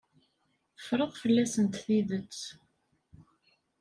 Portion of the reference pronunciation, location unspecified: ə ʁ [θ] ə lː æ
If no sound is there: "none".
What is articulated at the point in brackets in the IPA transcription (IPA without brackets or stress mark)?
f